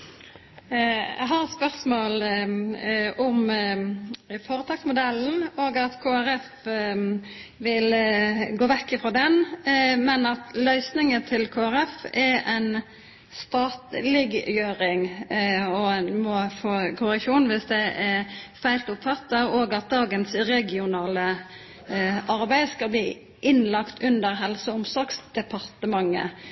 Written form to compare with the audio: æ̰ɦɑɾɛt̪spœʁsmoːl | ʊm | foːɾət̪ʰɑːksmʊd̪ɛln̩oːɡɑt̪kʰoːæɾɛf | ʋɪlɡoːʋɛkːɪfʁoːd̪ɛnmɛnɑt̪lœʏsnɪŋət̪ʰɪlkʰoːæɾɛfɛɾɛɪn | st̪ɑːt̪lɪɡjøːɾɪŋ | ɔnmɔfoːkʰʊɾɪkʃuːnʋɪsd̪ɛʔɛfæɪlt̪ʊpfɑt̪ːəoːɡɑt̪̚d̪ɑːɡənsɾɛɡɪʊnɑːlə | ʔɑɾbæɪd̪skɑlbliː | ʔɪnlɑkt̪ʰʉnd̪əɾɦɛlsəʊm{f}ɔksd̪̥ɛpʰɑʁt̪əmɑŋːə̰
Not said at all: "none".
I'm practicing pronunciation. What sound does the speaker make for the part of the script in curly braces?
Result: s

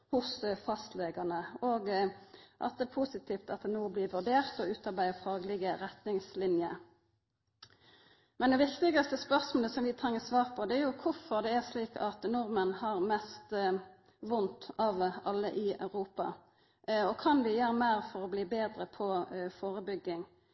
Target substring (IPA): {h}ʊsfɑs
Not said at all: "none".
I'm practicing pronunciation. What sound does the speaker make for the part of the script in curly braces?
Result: h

